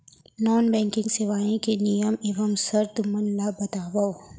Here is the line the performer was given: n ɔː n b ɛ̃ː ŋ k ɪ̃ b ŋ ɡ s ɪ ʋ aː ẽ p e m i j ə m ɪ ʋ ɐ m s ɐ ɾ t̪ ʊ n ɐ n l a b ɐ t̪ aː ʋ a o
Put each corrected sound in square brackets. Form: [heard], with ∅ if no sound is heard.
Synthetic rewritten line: n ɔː n b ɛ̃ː ŋ k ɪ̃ [∅] ŋ ɡ s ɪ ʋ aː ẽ [k] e [n] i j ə m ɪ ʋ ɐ m s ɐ ɾ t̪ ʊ [m] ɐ n l a b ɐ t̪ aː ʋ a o